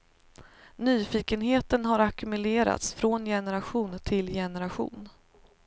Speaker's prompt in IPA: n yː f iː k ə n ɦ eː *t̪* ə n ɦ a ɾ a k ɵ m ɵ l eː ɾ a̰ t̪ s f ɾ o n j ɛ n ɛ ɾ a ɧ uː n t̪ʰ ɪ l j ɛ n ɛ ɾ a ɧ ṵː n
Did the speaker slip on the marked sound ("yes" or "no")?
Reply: no